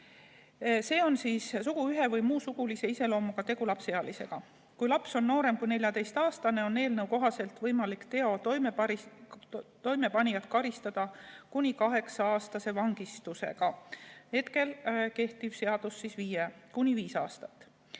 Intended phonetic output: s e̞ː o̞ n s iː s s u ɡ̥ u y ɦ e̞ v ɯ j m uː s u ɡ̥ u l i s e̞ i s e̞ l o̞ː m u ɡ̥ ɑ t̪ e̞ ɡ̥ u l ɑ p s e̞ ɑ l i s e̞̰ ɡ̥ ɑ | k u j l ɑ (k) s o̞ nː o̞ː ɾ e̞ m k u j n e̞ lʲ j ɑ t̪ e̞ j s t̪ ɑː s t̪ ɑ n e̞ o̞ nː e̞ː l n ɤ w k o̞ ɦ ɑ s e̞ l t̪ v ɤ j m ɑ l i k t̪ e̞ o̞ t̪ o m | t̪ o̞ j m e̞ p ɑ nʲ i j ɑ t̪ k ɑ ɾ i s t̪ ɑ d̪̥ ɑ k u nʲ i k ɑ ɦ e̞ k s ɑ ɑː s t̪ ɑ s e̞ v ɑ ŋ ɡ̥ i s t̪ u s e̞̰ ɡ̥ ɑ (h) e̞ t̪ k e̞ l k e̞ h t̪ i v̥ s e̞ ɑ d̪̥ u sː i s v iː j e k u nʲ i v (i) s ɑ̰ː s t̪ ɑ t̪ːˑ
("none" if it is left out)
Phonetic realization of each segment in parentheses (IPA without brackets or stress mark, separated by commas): p, h, iː